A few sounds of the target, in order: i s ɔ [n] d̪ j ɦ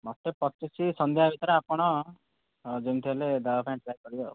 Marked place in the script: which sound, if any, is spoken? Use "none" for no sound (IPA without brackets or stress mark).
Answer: n